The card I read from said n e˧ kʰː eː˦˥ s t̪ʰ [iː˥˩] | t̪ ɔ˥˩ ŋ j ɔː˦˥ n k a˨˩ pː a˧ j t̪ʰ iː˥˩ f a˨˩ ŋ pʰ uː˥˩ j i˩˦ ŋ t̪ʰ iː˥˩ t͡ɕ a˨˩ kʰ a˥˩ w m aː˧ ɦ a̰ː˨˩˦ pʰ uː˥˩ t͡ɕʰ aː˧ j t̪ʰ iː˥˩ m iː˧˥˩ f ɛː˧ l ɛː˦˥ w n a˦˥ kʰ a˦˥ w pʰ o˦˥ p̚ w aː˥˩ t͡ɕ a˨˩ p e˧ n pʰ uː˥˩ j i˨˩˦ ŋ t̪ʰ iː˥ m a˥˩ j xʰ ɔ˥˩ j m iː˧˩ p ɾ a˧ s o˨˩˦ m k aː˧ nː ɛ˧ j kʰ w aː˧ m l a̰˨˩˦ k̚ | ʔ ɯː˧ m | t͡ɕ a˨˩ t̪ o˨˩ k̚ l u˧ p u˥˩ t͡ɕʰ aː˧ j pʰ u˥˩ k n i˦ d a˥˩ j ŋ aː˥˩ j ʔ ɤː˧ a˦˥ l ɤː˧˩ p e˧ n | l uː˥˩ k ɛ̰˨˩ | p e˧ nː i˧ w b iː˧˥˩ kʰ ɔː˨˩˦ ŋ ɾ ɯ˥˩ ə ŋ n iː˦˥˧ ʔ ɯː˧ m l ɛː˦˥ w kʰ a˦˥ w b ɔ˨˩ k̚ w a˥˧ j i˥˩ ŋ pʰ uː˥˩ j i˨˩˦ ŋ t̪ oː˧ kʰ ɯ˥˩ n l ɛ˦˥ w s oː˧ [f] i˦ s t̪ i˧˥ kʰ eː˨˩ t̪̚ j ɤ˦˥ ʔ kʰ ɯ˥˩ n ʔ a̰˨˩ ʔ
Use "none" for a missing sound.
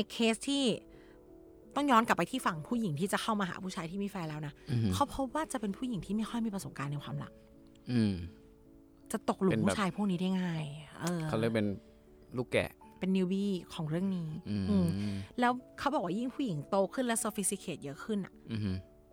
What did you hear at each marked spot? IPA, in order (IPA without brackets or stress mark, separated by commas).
iː˥˩, f